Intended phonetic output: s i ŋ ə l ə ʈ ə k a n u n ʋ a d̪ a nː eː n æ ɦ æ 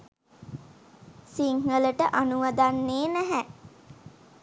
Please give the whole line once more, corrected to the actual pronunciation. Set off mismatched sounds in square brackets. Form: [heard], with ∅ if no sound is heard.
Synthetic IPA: s i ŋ ə l ə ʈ ə [ʔ] a n u [∅] ʋ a d̪ a nː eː n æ ɦ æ